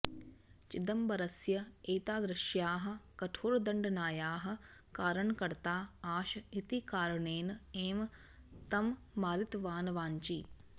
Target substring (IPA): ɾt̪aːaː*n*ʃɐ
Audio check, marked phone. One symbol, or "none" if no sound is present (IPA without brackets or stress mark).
none